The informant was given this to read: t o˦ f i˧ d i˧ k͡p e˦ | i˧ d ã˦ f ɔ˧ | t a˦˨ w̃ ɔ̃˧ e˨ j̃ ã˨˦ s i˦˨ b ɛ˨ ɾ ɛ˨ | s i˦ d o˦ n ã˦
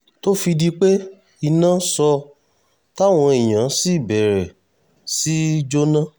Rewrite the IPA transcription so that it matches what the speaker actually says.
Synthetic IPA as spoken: t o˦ f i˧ d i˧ k͡p e˦ | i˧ n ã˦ s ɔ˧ | t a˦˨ w̃ ɔ̃˧ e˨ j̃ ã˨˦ s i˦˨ b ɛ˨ ɾ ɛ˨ | s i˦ d͡ʒ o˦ n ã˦